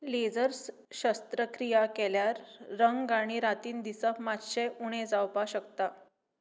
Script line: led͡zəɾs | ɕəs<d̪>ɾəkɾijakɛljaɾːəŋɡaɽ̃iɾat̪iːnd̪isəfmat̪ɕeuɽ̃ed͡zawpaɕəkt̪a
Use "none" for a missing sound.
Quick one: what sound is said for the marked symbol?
t̪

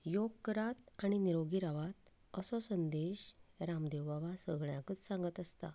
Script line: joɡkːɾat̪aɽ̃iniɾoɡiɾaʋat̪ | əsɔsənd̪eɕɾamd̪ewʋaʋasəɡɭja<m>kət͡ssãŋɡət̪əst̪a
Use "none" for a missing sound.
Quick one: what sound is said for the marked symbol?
none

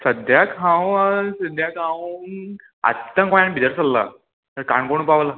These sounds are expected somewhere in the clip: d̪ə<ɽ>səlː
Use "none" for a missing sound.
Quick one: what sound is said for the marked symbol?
ɾ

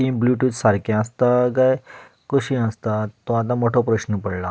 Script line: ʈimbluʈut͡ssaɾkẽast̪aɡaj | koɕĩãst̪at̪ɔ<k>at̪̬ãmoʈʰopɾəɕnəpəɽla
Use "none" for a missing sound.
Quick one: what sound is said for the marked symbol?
none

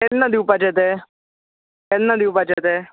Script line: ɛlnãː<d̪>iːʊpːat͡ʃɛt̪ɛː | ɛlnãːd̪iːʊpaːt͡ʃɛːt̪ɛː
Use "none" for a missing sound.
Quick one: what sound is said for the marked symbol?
d̪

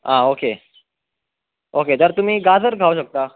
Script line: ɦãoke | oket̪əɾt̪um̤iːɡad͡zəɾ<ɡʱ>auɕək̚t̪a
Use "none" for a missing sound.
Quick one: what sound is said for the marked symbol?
ɡʱ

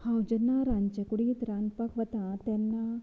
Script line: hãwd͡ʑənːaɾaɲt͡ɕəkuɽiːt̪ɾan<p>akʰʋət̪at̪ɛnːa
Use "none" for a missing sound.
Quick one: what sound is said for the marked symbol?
p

